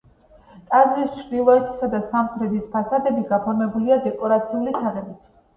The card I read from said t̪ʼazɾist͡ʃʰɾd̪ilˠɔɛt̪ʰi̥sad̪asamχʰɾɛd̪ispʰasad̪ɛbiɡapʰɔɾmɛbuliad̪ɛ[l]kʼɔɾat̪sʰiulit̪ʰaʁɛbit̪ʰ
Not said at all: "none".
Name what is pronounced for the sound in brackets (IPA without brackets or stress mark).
none